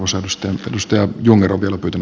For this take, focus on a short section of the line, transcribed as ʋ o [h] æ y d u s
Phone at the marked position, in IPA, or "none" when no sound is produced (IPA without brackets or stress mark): s